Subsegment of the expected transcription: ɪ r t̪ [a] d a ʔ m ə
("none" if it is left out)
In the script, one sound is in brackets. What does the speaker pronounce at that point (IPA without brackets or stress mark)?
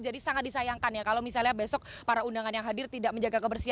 i